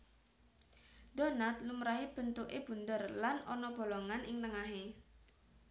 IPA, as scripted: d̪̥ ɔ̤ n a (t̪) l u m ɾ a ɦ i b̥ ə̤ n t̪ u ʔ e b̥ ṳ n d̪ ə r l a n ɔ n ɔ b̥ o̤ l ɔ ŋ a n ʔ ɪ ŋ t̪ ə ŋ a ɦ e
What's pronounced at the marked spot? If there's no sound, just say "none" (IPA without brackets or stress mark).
t̪